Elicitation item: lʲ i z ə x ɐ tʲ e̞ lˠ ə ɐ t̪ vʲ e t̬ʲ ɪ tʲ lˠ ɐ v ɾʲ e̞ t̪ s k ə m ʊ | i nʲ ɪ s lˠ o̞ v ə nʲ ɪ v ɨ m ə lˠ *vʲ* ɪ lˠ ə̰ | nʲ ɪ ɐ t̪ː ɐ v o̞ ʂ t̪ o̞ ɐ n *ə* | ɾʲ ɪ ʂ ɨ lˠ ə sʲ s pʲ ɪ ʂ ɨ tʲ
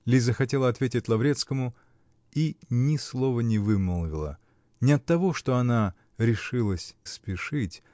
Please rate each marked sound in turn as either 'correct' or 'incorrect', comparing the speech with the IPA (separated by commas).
correct, incorrect